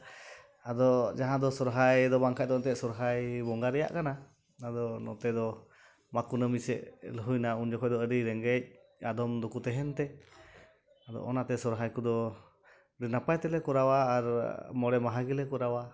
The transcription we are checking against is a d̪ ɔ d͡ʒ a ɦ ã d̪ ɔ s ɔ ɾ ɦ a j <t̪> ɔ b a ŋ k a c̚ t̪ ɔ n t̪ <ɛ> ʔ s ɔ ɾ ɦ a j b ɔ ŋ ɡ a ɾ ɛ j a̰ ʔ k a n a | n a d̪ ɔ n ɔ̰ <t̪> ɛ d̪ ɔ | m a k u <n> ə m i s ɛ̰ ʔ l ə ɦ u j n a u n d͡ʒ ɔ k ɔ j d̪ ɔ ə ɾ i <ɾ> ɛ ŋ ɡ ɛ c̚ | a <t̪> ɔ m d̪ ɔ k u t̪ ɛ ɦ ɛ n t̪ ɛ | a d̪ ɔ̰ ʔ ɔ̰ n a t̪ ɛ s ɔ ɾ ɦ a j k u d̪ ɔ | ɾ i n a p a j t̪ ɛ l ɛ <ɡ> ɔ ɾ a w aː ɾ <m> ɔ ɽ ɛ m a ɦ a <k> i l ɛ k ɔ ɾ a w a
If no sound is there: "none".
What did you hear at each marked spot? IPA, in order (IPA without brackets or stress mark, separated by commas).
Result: d̪, ɛ, t̪, n, ɾ, d̪, k, m, ɡ